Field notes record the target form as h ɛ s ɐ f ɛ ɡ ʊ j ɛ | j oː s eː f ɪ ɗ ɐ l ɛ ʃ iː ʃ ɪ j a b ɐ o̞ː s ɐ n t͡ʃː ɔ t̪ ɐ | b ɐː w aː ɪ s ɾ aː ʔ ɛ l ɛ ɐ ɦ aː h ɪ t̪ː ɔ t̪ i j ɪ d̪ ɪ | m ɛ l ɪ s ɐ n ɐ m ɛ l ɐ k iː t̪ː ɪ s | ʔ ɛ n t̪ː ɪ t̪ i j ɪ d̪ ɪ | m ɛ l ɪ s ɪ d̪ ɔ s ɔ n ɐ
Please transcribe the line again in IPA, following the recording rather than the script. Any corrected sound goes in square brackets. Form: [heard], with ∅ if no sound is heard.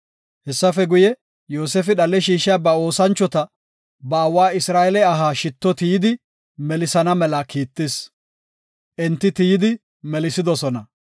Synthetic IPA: h ɛ [sː] ɐ f ɛ ɡ ʊ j ɛ | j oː s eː f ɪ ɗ ɐ l ɛ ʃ iː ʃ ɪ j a b ɐ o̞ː s ɐ n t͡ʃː ɔ t̪ ɐ | b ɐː w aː ɪ s ɾ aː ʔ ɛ l ɛ ɐ ɦ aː [ʃ] ɪ t̪ː ɔ t̪ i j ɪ d̪ ɪ | m ɛ l ɪ s ɐ n ɐ m ɛ l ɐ k iː t̪ː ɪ s | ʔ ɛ n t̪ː ɪ t̪ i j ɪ d̪ ɪ | m ɛ l ɪ s ɪ d̪ ɔ s ɔ n ɐ